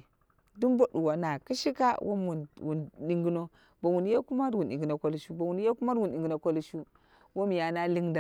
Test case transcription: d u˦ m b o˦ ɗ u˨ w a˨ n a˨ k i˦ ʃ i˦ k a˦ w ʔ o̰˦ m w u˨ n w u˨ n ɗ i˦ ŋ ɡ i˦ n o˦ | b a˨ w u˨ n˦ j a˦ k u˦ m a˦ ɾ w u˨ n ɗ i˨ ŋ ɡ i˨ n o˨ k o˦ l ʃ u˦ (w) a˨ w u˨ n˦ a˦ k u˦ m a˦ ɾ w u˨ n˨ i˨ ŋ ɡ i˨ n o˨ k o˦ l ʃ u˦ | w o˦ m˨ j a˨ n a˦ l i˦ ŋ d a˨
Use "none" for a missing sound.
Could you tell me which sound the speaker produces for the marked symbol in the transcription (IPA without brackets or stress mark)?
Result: b